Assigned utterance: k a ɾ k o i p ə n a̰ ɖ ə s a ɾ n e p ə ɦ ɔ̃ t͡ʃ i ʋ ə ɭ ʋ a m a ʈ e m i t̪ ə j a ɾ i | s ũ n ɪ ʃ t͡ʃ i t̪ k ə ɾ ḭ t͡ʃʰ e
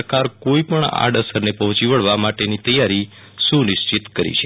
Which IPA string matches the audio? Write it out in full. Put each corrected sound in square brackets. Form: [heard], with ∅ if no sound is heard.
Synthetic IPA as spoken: k a ɾ k o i p ə [ɳ] a̰ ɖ ə s [ə] ɾ n e p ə ɦ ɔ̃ t͡ʃ i ʋ ə ɭ ʋ a m a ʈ e [n] i t̪ ə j a ɾ i | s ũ n ɪ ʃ t͡ʃ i t̪ k ə ɾ ḭ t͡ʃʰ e